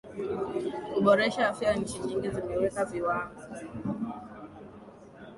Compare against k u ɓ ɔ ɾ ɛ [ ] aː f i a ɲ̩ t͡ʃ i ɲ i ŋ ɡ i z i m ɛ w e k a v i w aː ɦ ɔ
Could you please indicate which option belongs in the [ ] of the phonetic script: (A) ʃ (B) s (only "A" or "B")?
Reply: A